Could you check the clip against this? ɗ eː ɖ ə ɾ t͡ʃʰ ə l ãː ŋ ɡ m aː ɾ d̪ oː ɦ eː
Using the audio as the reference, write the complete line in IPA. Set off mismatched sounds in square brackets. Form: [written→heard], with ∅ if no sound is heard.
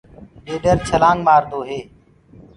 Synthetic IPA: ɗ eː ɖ ə ɾ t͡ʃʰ ə l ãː ŋ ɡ m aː ɾ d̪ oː ɦ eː